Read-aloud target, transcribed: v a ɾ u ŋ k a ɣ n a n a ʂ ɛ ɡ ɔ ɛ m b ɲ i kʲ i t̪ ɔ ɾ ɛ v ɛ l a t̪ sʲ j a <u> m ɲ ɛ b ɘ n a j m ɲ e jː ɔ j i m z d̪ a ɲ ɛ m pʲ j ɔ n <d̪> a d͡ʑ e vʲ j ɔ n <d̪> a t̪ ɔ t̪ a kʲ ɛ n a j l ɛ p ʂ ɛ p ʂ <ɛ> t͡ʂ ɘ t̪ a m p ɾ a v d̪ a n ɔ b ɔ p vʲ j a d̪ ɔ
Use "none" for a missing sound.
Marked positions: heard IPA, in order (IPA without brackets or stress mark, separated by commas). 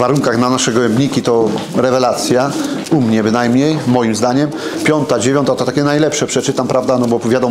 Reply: u, t̪, t̪, ɛ